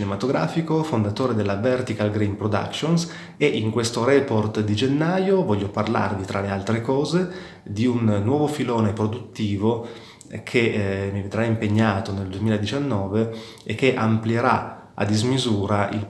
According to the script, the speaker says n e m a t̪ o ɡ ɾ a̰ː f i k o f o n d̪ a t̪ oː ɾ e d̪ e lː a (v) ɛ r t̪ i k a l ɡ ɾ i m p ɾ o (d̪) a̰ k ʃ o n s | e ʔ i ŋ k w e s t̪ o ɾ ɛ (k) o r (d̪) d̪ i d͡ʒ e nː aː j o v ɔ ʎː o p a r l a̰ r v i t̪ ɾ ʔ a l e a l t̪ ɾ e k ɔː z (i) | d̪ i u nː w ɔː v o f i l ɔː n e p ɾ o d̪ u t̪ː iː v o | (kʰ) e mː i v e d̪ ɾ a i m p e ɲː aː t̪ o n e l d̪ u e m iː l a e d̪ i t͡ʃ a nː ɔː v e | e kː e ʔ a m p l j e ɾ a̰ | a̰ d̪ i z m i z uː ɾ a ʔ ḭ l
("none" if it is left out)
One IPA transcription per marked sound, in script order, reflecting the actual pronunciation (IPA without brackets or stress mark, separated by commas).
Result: v, d̪, p, t̪, e, kʰ